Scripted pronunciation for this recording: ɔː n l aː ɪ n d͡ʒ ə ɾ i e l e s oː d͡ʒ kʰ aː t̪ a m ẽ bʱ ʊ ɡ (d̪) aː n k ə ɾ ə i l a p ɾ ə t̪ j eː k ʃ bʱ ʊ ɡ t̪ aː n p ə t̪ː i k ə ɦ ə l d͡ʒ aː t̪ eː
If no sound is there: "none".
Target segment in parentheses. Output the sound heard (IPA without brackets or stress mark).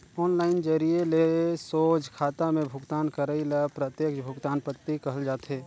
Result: t̪